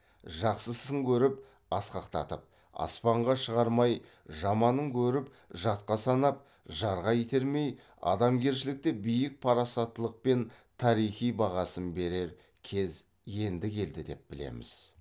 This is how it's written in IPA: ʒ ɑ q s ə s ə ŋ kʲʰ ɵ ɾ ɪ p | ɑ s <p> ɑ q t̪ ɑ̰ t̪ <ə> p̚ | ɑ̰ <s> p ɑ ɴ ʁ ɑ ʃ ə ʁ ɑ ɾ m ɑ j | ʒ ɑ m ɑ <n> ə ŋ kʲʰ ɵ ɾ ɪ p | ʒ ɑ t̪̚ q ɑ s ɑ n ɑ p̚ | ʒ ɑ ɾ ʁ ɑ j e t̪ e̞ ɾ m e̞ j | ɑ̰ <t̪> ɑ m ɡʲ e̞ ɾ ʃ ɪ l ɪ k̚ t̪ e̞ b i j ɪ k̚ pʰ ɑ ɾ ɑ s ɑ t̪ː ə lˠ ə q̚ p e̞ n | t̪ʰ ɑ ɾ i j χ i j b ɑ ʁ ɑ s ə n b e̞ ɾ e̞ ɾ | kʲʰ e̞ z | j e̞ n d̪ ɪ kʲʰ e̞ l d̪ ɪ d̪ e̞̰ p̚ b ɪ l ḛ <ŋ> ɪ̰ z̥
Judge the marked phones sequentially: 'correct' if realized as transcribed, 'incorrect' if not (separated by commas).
incorrect, correct, correct, correct, incorrect, incorrect